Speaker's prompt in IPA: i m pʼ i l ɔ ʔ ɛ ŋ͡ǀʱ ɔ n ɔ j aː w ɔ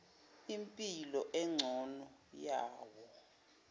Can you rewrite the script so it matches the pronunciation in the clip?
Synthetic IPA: i m pʼ i l ɔ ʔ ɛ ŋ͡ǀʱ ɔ n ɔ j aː w ɔ